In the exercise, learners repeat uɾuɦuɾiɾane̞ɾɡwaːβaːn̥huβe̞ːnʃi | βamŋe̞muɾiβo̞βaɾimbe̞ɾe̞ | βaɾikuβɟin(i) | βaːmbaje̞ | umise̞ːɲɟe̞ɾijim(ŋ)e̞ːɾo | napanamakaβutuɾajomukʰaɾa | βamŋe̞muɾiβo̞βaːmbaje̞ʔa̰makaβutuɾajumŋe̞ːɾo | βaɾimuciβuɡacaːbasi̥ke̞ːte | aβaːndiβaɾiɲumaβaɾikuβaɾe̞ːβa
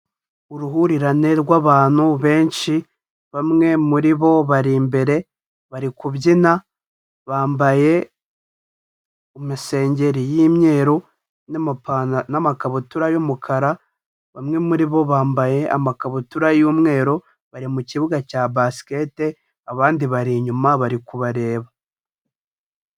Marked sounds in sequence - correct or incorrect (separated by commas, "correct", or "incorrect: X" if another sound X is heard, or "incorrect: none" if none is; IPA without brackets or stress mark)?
incorrect: a, incorrect: ɲ